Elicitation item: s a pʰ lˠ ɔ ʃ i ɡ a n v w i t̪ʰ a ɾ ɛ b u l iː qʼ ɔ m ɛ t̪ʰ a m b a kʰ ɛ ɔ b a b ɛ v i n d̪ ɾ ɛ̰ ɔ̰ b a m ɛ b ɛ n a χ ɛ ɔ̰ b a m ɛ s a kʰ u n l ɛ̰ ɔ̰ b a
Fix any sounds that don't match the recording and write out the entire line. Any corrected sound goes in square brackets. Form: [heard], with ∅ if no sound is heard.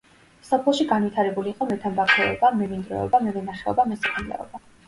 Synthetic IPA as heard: s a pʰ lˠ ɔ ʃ i ɡ a n v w i t̪ʰ a ɾ ɛ b u l iː qʼ ɔ m ɛ t̪ʰ a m b a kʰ ɛ ɔ b a [m] ɛ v i n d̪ ɾ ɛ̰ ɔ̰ b a m ɛ [v] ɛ n a χ ɛ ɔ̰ b a m ɛ s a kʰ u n l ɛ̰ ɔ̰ b a